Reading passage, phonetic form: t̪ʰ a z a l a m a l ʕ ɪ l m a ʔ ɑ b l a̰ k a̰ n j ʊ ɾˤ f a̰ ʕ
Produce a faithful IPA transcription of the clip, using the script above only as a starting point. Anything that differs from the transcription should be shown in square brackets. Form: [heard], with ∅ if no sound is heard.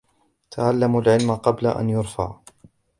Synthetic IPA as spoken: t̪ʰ a [ʕ] a [lː] a m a l ʕ ɪ l m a [q] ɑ b l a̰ [ʔ] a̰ n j ʊ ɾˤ f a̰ ʕ